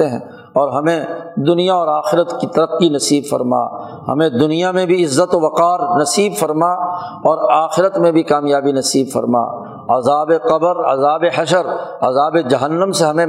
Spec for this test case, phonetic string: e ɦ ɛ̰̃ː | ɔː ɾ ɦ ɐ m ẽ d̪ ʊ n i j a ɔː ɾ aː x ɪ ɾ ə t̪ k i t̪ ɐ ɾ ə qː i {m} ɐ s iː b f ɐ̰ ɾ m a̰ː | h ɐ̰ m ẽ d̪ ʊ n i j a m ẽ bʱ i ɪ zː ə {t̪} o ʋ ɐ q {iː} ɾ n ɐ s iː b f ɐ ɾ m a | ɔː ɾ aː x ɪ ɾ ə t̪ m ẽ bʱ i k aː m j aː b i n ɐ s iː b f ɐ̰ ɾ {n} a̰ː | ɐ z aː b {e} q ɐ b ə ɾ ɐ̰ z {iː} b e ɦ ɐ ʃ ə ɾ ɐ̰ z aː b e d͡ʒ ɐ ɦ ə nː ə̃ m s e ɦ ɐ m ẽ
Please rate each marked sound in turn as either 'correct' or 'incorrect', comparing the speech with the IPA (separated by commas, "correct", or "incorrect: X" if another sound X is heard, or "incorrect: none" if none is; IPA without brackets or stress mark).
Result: incorrect: n, correct, incorrect: aː, incorrect: m, correct, incorrect: aː